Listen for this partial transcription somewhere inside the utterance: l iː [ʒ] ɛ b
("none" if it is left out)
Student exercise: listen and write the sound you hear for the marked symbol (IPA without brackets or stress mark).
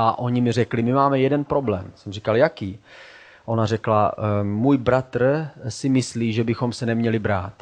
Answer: ʒ